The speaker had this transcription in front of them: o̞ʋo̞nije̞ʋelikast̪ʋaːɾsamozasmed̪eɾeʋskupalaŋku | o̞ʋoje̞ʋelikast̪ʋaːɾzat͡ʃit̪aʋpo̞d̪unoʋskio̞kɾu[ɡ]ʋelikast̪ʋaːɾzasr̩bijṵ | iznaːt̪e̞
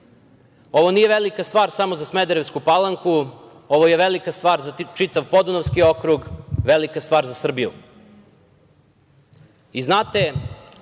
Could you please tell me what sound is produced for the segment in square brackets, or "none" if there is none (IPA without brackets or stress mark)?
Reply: ɡ